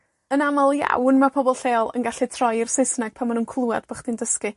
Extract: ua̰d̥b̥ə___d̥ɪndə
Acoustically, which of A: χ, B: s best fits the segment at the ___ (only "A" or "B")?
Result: A